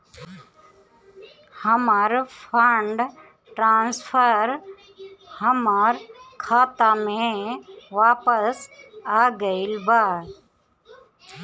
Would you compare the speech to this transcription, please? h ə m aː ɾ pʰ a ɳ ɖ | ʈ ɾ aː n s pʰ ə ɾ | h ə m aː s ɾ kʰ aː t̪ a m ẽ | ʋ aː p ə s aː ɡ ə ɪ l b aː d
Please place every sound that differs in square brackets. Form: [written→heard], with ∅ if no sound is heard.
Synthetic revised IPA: h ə m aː ɾ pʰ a ɳ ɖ | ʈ ɾ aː n s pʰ ə ɾ | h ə m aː [s→∅] ɾ kʰ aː t̪ a m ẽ | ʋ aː p ə s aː ɡ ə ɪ l b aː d